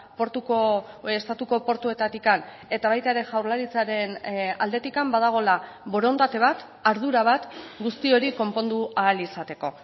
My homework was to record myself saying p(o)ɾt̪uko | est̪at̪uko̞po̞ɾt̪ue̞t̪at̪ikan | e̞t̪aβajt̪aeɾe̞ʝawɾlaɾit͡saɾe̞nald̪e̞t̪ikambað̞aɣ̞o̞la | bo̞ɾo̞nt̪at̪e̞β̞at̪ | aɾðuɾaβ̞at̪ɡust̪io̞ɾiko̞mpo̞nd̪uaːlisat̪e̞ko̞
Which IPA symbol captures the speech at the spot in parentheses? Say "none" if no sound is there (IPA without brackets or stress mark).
o